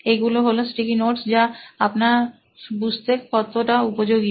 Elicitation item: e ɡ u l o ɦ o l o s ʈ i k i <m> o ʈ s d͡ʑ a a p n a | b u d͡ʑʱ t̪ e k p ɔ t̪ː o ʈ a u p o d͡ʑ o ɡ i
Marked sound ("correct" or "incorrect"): incorrect